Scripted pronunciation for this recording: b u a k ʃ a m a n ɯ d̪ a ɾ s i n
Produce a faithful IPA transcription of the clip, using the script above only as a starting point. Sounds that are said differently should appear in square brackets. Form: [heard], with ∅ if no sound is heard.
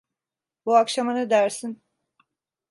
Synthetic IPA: b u a k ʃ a m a n ɯ d̪ [æ] ɾ s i n